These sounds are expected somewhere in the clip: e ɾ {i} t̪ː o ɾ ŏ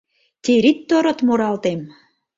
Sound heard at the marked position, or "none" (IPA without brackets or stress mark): i